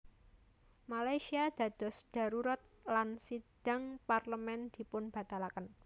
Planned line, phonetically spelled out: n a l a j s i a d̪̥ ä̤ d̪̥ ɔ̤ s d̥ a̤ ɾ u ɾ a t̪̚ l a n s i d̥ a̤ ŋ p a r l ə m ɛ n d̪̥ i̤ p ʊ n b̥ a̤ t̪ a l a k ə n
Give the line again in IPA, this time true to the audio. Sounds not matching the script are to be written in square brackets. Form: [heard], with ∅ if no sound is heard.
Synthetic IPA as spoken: [m] a l a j s i a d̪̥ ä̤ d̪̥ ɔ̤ s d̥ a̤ ɾ u ɾ a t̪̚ l a n s i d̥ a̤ ŋ p a r l ə m ɛ n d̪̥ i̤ p ʊ n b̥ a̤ t̪ a l a k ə n